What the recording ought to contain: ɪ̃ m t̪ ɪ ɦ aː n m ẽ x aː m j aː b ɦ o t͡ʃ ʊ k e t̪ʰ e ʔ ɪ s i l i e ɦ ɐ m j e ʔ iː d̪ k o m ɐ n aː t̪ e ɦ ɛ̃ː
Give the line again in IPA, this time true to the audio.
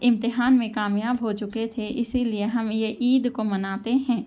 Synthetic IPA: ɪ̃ m t̪ ɪ ɦ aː n m ẽ k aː m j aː b ɦ o t͡ʃ ʊ k e t̪ʰ e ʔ ɪ s i l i e ɦ ɐ m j e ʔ iː d̪ k o m ɐ n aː t̪ e ɦ ɛ̃ː